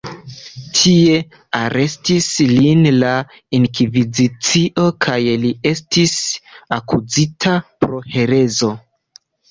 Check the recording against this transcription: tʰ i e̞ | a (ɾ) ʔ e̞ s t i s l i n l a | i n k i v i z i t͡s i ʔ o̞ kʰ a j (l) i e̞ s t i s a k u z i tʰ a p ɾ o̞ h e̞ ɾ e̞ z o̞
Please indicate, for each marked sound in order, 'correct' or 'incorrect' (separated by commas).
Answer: correct, correct